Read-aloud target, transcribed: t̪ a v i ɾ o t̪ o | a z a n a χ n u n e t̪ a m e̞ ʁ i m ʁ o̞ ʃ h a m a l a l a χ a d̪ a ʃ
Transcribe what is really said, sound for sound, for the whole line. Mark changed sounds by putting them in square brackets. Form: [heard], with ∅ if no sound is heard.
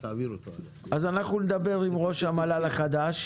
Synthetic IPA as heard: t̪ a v i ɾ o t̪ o | a z a n a χ n u n e [d̪] a [b] e̞ ʁ i m ʁ o̞ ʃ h a m a l a l a χ a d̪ a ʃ